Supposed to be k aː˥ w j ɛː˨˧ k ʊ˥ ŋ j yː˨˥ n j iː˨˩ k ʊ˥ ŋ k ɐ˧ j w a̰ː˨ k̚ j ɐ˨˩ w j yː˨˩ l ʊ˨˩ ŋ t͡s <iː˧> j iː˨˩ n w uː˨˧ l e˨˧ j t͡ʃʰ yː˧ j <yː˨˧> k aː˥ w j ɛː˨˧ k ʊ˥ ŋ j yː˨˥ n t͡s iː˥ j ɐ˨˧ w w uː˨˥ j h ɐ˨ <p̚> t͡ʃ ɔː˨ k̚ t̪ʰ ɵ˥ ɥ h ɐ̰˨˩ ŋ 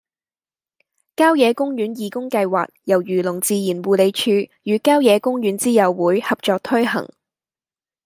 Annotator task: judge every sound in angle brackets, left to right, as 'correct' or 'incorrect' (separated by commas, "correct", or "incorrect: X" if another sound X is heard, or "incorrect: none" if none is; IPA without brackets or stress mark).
correct, correct, correct